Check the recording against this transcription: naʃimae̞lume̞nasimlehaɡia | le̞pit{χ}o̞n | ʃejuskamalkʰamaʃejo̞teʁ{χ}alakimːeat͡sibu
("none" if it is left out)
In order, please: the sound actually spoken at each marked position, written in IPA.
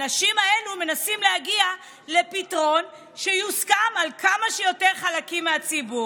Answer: ʁ, χ

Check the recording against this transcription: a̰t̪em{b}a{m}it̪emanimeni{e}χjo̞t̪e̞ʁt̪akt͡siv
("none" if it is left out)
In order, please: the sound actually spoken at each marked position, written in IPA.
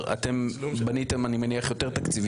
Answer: b, n, a

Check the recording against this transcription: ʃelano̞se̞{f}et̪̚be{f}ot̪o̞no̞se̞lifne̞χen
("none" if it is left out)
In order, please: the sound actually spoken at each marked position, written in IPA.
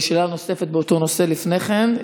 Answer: f, none

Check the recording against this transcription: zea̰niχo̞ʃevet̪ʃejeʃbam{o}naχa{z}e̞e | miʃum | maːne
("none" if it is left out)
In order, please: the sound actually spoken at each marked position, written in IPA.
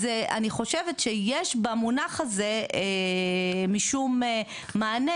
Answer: u, z

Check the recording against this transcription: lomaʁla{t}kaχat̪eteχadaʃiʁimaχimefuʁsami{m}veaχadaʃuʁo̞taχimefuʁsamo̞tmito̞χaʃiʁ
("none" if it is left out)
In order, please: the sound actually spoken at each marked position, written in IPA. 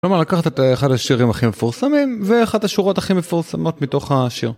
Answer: none, m

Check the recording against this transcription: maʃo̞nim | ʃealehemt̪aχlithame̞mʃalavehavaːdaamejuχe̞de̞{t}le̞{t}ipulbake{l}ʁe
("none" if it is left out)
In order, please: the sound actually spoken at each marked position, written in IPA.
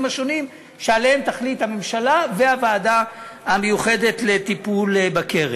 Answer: t, t, none

